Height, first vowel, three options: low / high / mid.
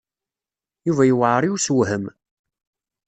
high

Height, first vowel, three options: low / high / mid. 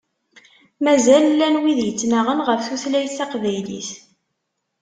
low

